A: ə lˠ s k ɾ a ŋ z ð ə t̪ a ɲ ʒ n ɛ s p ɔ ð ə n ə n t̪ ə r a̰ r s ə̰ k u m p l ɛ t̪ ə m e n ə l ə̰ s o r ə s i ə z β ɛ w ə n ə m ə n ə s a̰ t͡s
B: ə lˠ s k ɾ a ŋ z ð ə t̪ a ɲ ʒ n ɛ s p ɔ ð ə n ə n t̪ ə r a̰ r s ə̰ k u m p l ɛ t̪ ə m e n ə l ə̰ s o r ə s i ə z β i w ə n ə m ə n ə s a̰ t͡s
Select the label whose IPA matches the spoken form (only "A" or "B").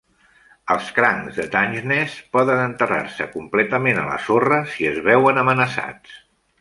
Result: A